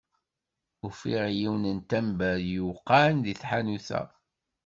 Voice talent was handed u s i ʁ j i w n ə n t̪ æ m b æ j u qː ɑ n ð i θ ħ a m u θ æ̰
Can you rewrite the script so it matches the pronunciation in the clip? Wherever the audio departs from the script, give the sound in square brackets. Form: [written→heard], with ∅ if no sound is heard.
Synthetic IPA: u [s→f] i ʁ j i w n ə n t̪ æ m b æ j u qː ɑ n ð i θ ħ a [m→n] u θ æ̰